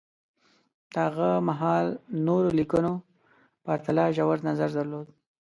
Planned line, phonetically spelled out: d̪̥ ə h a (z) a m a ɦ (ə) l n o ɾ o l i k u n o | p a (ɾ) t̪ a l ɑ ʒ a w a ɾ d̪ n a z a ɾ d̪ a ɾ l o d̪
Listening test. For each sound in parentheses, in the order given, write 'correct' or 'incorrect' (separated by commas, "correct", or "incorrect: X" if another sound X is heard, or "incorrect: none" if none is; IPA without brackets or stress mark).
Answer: incorrect: ɣ, incorrect: ɑ, correct